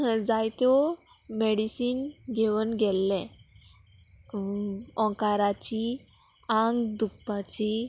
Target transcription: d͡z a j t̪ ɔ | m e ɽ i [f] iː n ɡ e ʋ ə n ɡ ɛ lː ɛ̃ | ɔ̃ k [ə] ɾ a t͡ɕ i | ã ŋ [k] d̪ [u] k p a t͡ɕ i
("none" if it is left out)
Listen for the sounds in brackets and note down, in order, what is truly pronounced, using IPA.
s, a, ɡ, u

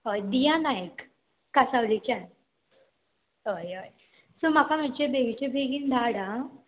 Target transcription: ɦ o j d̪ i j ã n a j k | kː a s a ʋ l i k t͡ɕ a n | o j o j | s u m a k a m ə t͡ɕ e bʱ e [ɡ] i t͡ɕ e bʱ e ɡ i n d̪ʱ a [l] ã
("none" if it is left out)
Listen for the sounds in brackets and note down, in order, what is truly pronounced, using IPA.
ɡ, ɽ

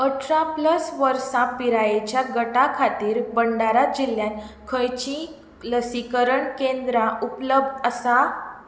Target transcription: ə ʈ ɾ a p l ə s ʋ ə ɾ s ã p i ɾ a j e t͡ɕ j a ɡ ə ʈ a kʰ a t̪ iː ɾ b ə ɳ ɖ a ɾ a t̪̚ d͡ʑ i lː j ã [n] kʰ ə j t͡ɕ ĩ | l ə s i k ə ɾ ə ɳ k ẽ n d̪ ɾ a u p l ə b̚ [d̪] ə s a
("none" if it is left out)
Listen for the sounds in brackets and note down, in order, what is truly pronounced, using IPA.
n, d̪

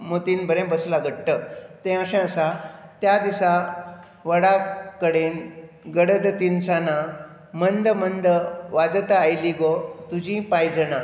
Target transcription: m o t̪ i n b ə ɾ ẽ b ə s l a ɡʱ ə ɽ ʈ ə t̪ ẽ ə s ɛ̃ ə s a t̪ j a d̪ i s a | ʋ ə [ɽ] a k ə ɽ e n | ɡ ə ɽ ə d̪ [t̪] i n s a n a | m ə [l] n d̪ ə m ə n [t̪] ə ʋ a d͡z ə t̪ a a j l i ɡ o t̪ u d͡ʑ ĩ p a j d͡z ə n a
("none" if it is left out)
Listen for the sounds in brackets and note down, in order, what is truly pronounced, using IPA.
ɽ, t̪, none, d̪

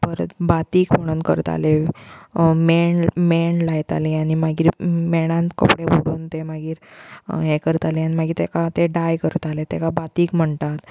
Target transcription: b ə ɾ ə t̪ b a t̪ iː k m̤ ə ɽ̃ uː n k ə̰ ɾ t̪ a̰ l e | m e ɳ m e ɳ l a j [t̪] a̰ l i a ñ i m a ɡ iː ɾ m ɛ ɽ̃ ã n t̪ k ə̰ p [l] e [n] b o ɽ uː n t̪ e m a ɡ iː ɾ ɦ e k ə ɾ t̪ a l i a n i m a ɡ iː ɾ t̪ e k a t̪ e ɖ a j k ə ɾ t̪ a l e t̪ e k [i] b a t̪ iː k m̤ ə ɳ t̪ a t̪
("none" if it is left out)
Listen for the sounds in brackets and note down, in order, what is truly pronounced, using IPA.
t̪, ɽ, none, a

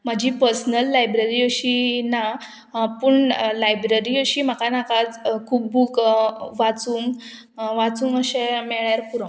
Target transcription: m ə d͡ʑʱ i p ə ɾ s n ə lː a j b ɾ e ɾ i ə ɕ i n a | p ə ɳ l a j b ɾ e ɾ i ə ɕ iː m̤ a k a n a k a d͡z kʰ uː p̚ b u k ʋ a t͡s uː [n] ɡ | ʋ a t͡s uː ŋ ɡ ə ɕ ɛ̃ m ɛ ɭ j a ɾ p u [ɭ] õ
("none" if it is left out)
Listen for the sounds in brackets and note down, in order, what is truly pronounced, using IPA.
ŋ, ɾ

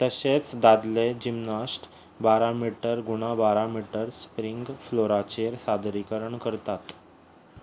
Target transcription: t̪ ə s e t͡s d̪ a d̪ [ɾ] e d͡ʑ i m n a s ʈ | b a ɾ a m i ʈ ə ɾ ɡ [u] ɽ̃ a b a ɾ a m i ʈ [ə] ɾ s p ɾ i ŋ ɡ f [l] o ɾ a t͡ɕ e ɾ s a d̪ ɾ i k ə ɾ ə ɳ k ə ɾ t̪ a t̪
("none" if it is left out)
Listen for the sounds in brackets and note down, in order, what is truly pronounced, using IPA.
l, u, ə, l

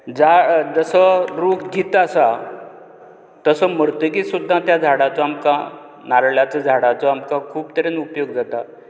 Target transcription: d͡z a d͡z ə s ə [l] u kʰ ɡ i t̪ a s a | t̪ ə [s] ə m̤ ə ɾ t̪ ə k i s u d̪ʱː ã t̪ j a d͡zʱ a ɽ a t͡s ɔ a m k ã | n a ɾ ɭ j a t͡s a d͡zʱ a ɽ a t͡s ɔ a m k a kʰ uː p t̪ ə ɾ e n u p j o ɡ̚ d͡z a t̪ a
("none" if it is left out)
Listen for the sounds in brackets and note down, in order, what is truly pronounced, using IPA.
ɾ, s

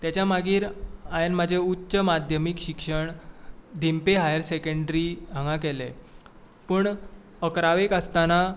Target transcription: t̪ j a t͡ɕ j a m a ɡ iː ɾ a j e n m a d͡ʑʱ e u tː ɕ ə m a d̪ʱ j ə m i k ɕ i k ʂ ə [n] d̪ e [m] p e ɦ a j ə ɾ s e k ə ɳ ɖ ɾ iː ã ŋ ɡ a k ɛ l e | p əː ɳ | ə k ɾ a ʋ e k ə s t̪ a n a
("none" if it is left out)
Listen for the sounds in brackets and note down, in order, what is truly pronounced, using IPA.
ɳ, m

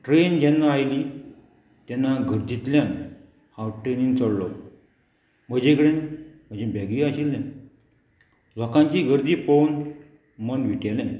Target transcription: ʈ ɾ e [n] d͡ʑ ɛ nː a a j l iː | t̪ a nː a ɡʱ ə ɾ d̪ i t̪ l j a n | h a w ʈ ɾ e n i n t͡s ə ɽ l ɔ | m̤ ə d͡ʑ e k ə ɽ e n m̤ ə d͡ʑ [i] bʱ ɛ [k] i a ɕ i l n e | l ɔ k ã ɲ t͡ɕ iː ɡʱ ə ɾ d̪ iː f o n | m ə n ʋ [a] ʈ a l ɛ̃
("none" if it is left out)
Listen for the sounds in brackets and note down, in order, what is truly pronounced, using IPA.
n, e, ɡ, i

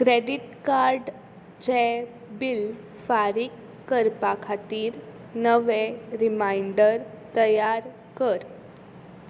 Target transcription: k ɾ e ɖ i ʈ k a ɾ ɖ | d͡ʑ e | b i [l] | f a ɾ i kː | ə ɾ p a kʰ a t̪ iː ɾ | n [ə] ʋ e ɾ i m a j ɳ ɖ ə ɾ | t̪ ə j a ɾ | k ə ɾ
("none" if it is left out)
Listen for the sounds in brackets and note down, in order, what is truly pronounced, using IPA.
l, ə

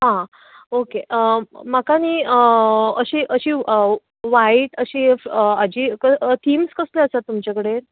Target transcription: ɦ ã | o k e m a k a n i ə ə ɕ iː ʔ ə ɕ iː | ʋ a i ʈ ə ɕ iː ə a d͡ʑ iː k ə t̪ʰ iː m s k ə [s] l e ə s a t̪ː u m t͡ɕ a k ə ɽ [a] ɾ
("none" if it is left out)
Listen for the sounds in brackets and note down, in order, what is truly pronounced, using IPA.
s, e

